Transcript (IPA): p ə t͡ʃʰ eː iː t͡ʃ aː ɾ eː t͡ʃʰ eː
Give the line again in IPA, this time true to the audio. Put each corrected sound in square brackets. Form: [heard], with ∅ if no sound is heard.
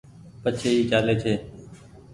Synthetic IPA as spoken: p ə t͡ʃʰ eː iː t͡ʃ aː [l] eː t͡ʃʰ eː

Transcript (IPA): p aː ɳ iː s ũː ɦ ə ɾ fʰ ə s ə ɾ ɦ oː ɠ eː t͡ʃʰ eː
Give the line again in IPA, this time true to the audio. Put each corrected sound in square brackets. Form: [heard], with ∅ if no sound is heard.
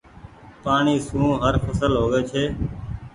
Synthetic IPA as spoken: p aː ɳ iː s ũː ɦ ə ɾ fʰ ə s ə [l] ɦ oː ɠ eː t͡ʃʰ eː

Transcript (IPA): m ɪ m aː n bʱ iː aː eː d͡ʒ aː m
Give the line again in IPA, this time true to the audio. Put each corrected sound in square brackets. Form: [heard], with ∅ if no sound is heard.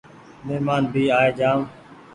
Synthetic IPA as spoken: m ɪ m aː n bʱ iː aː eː d͡ʒ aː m

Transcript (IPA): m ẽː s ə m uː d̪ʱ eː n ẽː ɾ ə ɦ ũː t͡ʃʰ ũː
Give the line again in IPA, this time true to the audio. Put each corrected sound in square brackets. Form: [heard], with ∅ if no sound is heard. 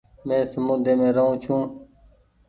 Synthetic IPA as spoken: m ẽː s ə m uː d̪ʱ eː [m] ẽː ɾ ə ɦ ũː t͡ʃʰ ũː

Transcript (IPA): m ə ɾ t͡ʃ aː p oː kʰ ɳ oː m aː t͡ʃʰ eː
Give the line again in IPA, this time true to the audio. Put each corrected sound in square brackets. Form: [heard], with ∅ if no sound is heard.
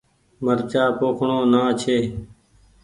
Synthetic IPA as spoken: m ə ɾ t͡ʃ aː p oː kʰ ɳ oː [n] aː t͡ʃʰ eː

